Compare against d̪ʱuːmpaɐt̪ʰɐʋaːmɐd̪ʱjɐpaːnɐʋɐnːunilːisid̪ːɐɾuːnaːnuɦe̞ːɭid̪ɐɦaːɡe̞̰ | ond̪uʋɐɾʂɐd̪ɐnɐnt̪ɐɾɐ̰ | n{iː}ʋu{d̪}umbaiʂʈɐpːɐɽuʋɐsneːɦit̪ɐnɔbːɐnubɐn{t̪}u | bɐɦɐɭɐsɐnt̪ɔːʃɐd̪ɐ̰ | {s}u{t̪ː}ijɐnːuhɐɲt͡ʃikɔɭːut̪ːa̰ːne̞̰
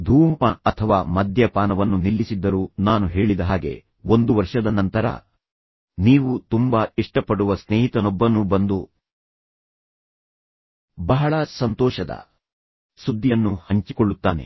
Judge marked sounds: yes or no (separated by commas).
yes, no, no, yes, no